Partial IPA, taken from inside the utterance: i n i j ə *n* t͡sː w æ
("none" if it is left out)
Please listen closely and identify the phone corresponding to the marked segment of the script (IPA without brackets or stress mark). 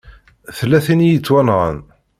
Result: none